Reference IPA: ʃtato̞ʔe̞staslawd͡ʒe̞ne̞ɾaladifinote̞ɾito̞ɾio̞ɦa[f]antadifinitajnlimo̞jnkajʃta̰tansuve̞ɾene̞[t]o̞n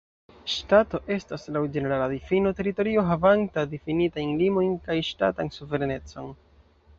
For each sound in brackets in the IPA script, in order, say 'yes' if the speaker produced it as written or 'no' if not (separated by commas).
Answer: no, no